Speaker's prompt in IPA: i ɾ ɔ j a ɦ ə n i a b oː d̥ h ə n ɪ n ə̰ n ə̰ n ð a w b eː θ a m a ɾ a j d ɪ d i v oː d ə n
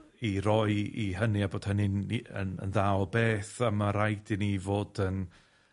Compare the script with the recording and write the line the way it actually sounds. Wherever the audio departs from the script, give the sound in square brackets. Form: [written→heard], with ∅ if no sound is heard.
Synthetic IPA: i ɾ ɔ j [a→i] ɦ ə n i a b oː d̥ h ə n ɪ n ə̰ n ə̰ n ð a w b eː θ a m a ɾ a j d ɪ [d→n] i v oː d ə n